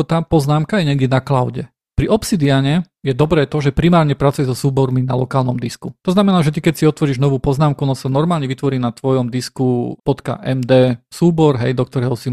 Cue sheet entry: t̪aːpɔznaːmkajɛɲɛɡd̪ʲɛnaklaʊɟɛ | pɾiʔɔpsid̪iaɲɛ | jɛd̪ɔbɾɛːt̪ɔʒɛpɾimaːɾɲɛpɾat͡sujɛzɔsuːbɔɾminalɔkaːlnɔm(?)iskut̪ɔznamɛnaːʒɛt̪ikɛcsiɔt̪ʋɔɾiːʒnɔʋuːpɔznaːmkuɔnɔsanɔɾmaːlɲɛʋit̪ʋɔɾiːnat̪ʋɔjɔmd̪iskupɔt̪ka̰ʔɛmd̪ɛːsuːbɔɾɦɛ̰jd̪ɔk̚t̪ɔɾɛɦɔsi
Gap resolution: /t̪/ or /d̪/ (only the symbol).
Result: d̪